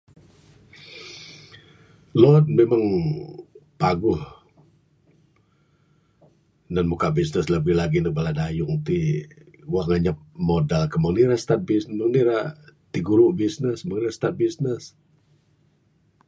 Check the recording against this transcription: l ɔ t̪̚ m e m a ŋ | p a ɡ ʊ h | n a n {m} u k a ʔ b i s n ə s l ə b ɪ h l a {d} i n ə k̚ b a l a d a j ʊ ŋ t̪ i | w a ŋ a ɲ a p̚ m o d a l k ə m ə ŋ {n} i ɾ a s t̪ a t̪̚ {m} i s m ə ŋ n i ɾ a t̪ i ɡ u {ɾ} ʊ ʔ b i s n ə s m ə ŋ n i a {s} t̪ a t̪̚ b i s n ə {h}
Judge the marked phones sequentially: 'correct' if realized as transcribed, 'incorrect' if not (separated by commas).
correct, incorrect, correct, incorrect, correct, correct, incorrect